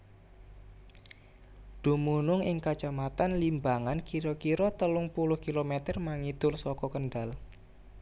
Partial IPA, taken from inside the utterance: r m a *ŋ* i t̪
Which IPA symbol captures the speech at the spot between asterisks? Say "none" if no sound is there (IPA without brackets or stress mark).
ŋ